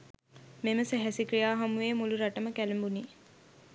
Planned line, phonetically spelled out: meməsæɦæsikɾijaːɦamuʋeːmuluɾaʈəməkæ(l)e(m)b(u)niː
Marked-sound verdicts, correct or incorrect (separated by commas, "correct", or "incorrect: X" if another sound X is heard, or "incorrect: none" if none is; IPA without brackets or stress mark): correct, correct, correct